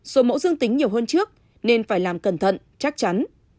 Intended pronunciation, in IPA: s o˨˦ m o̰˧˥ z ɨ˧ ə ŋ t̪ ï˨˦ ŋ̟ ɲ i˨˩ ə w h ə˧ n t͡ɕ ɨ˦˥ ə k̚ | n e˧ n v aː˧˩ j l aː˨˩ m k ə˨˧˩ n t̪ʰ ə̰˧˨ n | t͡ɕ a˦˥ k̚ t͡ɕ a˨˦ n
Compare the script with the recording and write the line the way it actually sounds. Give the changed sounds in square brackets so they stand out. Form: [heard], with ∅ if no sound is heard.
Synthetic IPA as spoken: s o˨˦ m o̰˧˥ z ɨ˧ ə ŋ t̪ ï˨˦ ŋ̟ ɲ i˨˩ ə w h [əː˧] n t͡ɕ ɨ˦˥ ə k̚ | n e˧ n [f] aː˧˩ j l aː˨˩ m k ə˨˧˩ n t̪ʰ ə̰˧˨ n | t͡ɕ a˦˥ k̚ t͡ɕ a˨˦ n